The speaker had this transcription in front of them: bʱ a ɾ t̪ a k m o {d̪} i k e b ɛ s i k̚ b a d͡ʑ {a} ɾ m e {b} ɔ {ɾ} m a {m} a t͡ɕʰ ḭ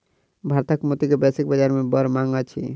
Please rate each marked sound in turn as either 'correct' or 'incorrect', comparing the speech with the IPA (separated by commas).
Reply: incorrect, correct, correct, correct, incorrect